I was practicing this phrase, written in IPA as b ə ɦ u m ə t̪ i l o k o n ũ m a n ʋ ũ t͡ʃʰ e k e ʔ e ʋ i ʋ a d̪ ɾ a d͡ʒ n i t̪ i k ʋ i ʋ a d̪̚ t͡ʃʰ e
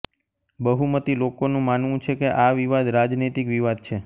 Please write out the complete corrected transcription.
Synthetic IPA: b ə ɦ u m ə t̪ i l o k o n ũ m a n ʋ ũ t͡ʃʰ e k e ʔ a ʋ i ʋ a d̪ ɾ a d͡ʒ n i t̪ i k ʋ i ʋ a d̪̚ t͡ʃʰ e

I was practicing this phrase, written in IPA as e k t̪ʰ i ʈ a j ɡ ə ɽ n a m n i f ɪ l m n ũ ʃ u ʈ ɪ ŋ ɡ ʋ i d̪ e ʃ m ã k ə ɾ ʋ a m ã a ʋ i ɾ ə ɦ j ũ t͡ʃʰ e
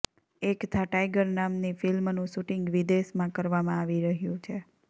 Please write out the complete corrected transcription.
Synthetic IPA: e k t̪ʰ a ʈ a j ɡ ə ɾ n a m n i f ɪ l m n ũ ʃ u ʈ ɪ ŋ ɡ ʋ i d̪ e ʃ m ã k ə ɾ ʋ a m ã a ʋ i ɾ ə ɦ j ũ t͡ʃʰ e

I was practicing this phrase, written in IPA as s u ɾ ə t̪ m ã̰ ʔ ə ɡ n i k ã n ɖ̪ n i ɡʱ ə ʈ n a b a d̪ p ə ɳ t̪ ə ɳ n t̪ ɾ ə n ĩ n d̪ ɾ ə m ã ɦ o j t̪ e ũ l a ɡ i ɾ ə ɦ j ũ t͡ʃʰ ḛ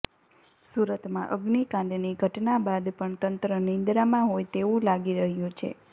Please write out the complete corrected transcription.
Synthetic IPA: s u ɾ ə t̪ m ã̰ ʔ ə ɡ n i k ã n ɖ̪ n i ɡʱ ə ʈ n a b a d̪ p ə ɳ t̪ ə n t̪ ɾ ə n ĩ n d̪ ɾ a m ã ɦ o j t̪ e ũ l a ɡ i ɾ ə ɦ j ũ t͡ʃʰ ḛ

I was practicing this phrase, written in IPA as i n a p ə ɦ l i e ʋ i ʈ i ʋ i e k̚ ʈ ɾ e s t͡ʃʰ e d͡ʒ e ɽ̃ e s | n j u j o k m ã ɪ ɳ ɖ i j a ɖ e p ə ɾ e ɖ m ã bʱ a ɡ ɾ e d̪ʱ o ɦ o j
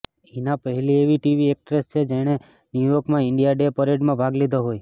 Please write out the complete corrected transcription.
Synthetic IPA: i n a p ə ɦ l i e ʋ i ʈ i ʋ i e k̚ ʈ ɾ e s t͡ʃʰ e d͡ʒ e ɽ̃ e | n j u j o k m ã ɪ ɳ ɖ i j a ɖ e p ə ɾ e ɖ m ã bʱ a ɡ l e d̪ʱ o ɦ o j

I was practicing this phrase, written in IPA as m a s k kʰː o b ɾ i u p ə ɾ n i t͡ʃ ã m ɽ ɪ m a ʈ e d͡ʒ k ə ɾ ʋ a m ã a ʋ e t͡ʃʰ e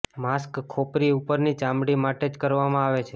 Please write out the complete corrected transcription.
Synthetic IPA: m a s k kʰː o p ɾ i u p ə ɾ n i t͡ʃ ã m ɽ i m a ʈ e d͡ʒ k ə ɾ ʋ a m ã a ʋ e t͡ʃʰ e

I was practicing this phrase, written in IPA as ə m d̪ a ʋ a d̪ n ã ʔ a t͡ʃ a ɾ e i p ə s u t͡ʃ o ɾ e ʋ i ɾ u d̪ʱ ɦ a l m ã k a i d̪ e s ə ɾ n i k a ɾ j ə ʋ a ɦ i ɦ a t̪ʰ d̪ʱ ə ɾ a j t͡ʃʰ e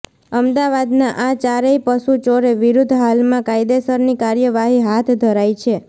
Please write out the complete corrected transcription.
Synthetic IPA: ə m d̪ a ʋ a d̪ n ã ʔ a t͡ʃ a ɾ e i p ə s u t͡ʃ o ɾ e ʋ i ɾ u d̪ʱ ɦ a l m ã k a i d̪ e s ə ɾ n i k a ɾ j ə ʋ a ɦ i ɦ a t̪ʰ d̪ʱ ə ɾ a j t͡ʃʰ e

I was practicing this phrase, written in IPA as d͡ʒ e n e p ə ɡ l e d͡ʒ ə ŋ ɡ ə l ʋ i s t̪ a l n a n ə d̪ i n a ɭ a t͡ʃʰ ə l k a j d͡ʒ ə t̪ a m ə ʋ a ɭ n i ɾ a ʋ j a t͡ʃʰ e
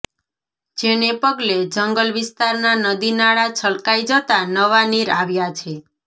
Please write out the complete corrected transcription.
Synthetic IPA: d͡ʒ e n e p ə ɡ l e d͡ʒ ə ŋ ɡ ə l ʋ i s t̪ a ɾ n a n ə d̪ i n a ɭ a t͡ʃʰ ə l k a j d͡ʒ ə t̪ a n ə ʋ a n i ɾ a ʋ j a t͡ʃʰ e

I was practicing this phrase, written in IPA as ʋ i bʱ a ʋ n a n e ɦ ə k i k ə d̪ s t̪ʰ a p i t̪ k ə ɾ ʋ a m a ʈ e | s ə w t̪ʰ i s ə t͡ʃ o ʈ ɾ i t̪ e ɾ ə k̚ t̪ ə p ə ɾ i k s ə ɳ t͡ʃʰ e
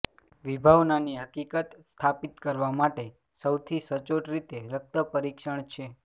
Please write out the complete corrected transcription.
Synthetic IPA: ʋ i bʱ a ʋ n a n i ɦ ə k i k ə t̪ s t̪ʰ a p i t̪ k ə ɾ ʋ a m a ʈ e | s ə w t̪ʰ i s ə t͡ʃ o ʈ ɾ i t̪ e ɾ ə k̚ t̪ ə p ə ɾ i k ʃ ə ɳ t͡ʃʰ e

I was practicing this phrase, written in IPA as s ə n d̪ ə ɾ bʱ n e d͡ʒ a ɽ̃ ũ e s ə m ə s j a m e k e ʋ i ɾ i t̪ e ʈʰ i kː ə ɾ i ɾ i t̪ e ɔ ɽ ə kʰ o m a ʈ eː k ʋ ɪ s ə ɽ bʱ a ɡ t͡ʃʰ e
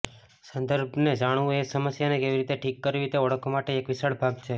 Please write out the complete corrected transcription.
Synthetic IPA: s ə n d̪ ə ɾ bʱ n e d͡ʒ a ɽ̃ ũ e s ə m ə s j a n e k e ʋ i ɾ i t̪ e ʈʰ i kː ə ɾ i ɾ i t̪ e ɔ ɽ ə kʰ o m a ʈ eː k ʋ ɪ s ə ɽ bʱ a ɡ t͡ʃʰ e

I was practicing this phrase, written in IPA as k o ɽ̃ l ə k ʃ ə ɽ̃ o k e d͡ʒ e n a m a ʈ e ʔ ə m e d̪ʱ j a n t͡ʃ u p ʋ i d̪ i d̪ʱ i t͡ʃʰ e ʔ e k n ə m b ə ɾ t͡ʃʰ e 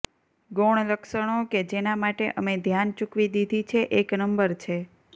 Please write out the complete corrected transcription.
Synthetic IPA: ɡ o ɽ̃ l ə k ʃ ə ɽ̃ o k e d͡ʒ e n a m a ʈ e ʔ ə m e d̪ʱ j a n t͡ʃ u k ʋ i d̪ i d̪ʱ i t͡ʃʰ e ʔ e k n ə m b ə ɾ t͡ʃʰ e

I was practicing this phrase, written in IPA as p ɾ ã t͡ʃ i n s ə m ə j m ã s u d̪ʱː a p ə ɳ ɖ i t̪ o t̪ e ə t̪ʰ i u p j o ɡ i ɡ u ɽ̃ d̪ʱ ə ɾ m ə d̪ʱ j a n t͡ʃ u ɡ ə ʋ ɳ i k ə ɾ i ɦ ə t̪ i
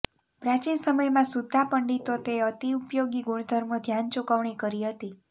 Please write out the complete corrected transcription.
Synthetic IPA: p ɾ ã t͡ʃ i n s ə m ə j m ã s u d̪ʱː a p ə ɳ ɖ i t̪ o t̪ e ə t̪ i u p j o ɡ i ɡ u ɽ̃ d̪ʱ ə ɾ m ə d̪ʱ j a n t͡ʃ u k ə ʋ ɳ i k ə ɾ i ɦ ə t̪ i

